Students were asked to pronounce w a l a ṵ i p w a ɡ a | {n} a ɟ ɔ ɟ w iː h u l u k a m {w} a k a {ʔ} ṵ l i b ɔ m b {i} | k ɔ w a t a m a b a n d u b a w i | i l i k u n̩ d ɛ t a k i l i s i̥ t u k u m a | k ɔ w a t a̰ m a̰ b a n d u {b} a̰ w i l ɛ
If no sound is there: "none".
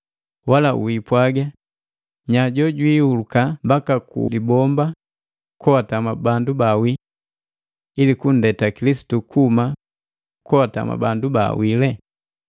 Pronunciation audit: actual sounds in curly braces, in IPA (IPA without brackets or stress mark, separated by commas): ɲ, b, k, a, b